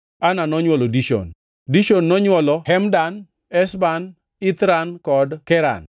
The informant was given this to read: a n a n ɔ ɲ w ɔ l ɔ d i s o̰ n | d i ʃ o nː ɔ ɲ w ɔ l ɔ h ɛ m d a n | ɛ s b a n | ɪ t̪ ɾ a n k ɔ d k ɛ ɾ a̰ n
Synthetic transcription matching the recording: a n a n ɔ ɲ w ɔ l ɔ d i ʃ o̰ n | d i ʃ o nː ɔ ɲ w ɔ l ɔ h ɛ m d a n | ɛ s b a n | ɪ t̪ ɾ a n k ɔ d k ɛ ɾ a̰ n